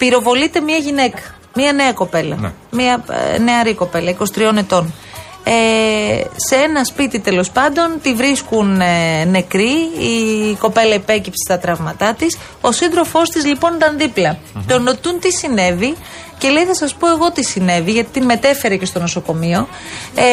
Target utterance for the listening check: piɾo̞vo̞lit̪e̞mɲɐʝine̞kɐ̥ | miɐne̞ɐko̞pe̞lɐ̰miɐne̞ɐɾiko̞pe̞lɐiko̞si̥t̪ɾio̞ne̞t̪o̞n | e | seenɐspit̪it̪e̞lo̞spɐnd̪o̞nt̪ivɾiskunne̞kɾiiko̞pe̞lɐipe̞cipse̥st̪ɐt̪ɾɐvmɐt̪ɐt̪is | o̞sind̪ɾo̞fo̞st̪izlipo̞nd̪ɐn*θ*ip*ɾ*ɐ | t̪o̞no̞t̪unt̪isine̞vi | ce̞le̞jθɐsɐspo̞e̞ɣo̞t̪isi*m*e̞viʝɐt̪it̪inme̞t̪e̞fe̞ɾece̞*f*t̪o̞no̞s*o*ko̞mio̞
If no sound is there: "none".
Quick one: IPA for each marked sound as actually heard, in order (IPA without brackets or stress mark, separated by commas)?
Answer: ð, l, n, s, o